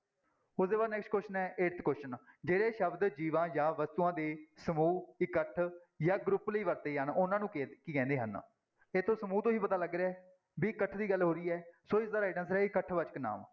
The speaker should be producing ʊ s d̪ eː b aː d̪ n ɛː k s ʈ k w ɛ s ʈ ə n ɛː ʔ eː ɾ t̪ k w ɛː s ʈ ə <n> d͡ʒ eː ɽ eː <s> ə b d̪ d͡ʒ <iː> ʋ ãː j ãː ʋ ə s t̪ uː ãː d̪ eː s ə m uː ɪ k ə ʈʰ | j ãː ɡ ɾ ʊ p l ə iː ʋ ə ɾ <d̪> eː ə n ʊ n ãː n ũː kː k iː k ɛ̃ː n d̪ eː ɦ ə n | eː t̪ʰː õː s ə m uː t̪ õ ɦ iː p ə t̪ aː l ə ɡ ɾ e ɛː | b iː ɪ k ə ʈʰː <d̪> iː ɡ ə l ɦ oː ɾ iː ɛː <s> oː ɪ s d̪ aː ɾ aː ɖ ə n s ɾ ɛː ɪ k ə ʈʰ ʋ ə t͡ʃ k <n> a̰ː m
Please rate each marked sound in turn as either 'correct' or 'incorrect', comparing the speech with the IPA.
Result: correct, incorrect, correct, incorrect, correct, correct, correct

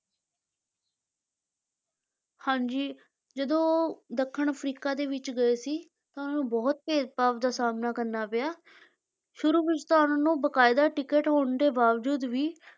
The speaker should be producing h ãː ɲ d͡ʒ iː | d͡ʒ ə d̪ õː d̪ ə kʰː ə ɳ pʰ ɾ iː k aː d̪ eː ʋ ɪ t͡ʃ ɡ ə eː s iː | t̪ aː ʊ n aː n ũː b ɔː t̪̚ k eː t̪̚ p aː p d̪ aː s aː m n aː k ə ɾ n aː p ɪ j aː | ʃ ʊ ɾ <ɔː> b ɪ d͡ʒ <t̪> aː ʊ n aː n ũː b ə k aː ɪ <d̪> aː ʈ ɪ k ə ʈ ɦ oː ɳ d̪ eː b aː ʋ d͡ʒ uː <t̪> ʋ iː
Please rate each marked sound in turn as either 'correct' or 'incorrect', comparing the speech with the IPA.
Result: incorrect, correct, correct, incorrect

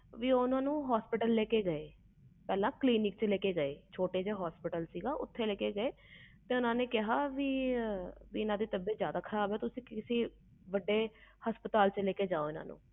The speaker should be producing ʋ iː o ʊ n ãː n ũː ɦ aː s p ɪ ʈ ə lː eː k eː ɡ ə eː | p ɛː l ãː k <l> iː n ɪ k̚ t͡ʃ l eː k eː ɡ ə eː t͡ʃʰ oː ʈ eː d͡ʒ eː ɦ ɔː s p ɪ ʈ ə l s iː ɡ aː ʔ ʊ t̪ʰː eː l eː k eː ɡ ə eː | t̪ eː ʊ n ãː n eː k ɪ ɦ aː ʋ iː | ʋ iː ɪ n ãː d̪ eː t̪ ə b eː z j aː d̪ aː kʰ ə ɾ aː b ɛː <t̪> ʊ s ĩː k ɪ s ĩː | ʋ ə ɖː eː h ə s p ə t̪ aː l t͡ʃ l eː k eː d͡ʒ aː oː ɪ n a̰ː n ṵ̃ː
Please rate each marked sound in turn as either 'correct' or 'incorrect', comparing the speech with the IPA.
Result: correct, correct

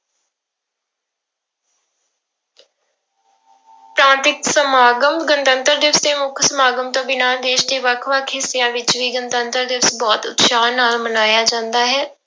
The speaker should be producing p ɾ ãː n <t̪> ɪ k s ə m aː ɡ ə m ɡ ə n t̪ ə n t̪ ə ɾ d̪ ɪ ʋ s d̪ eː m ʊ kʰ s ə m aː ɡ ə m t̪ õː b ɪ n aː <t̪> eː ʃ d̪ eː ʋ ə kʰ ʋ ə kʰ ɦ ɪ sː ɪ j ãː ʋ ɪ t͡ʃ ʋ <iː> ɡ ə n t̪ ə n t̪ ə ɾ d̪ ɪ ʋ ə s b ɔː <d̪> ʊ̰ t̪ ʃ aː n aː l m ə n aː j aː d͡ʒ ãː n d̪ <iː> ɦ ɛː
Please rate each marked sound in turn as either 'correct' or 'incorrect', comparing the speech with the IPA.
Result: correct, incorrect, correct, incorrect, incorrect

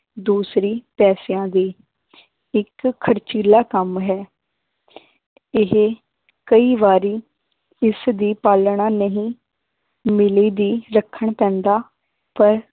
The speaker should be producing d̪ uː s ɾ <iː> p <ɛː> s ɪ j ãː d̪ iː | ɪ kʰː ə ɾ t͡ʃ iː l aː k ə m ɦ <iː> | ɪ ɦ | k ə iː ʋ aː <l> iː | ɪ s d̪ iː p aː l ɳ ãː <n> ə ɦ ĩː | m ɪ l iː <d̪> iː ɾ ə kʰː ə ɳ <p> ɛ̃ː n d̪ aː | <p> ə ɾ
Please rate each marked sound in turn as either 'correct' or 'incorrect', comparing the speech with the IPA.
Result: correct, correct, incorrect, incorrect, correct, correct, correct, correct

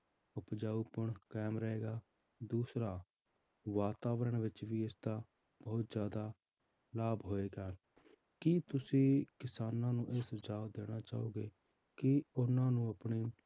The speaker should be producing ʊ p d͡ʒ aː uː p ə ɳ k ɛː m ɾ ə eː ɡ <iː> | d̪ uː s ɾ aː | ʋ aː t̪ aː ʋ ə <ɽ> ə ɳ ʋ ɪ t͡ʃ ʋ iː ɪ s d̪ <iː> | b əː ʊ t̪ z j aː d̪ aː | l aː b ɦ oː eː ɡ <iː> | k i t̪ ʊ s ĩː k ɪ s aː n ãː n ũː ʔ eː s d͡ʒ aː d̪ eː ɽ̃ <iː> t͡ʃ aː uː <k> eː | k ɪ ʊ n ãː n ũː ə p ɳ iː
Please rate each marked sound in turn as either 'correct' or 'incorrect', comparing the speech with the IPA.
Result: incorrect, incorrect, incorrect, incorrect, incorrect, incorrect

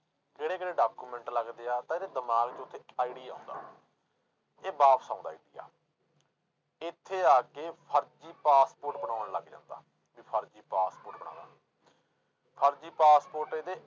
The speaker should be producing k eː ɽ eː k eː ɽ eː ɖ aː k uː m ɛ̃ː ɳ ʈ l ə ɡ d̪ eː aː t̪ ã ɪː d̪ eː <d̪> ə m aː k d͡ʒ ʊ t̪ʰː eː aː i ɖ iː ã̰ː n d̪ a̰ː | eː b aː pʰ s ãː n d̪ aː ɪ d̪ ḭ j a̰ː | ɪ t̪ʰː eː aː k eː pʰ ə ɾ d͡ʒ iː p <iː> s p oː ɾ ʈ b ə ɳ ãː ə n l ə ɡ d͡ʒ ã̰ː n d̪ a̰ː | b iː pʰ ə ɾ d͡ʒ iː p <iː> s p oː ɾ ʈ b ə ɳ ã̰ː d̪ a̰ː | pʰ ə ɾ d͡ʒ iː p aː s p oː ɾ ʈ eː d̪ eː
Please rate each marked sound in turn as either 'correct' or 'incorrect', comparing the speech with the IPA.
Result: correct, incorrect, incorrect

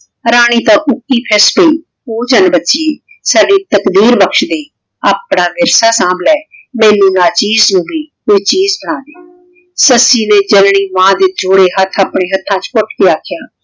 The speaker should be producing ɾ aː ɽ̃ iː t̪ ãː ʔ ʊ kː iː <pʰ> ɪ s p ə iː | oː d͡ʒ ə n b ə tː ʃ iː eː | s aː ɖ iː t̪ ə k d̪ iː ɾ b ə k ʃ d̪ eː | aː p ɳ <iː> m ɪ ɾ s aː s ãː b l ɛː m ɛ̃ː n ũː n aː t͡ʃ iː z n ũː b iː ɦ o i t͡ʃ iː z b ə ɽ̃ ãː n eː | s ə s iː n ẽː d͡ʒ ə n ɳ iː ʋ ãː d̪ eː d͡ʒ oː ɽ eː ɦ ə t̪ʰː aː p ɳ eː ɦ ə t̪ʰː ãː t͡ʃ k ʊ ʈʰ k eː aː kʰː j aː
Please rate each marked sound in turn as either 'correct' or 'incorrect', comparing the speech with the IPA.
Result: correct, incorrect

